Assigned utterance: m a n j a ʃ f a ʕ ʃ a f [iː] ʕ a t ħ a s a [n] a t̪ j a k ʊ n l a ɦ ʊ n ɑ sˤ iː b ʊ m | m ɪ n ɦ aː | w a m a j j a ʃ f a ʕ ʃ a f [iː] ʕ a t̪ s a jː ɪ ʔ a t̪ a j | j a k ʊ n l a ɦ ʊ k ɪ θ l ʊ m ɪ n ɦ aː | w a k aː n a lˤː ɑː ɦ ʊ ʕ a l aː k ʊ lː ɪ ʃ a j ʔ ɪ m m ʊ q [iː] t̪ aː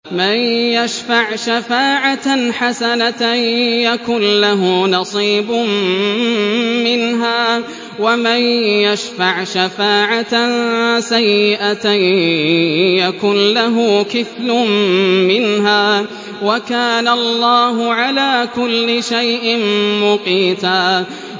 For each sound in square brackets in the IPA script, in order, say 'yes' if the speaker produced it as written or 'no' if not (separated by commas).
no, yes, no, yes